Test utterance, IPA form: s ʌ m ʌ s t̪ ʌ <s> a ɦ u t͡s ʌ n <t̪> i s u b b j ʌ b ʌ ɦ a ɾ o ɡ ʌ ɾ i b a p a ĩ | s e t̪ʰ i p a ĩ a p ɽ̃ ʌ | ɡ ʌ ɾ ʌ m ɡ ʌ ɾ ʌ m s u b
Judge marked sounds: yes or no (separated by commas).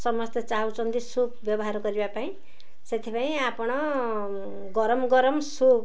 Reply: no, no